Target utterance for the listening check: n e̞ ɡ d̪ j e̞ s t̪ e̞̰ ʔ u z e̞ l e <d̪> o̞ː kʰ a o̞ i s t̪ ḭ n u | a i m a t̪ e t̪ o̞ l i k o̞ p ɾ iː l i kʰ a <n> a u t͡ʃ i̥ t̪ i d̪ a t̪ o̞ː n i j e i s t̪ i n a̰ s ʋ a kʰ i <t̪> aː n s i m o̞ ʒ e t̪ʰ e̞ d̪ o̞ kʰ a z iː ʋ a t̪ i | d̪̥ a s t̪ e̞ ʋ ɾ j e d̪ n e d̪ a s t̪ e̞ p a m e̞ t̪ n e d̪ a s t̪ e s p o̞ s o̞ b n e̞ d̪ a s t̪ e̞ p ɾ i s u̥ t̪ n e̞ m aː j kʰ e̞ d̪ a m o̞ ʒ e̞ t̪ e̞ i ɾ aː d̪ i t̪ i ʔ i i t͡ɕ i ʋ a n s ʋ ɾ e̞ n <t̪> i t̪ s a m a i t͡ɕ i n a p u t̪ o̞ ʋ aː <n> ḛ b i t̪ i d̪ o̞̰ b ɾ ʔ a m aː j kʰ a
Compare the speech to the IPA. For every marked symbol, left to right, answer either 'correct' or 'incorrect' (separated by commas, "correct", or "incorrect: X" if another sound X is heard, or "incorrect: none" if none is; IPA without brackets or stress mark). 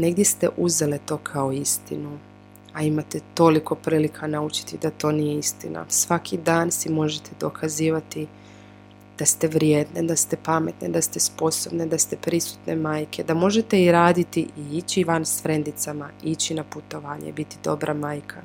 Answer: incorrect: t̪, correct, incorrect: d̪, incorrect: d̪, incorrect: ɲ